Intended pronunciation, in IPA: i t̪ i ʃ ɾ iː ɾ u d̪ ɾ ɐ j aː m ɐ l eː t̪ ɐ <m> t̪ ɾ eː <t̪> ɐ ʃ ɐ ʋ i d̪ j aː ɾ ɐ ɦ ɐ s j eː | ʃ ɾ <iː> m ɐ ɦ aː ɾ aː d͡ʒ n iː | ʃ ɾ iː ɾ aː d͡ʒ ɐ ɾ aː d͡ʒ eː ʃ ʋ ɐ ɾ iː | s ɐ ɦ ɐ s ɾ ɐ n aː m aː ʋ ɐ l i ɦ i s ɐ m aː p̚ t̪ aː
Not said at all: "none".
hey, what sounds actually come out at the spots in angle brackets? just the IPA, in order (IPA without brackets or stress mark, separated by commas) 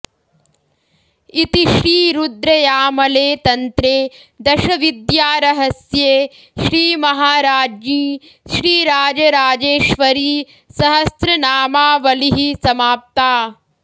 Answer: n, d̪, iː